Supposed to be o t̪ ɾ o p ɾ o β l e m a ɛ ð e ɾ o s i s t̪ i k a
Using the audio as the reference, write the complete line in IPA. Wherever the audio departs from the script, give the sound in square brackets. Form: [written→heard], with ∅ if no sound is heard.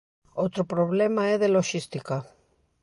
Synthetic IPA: o t̪ ɾ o p ɾ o β l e m a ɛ ð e [ɾ→l] o [s→ʃ] i s t̪ i k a